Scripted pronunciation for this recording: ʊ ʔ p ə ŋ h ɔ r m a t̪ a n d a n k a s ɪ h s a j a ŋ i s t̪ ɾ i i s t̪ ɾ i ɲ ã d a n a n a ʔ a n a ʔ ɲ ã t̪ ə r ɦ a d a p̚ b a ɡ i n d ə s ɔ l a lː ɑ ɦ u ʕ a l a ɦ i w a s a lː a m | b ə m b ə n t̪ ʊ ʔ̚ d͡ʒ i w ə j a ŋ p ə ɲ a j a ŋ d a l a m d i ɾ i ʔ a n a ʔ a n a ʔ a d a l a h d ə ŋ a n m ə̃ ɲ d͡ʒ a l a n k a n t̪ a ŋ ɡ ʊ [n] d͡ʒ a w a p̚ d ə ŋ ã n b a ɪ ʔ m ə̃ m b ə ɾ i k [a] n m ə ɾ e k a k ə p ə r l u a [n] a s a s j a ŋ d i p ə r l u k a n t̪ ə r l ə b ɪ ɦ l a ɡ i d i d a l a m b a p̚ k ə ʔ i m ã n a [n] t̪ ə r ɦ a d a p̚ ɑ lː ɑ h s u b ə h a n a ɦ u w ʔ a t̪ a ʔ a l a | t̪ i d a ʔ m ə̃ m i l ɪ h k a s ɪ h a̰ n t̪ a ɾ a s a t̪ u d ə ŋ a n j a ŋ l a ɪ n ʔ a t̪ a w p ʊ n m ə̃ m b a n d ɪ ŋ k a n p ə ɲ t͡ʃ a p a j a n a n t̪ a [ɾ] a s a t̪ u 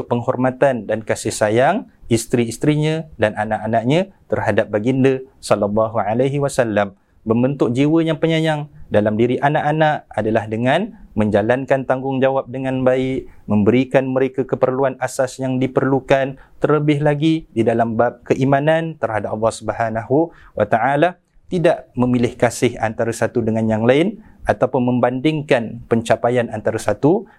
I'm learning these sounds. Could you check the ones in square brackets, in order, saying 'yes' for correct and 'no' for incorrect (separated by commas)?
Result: no, yes, yes, yes, yes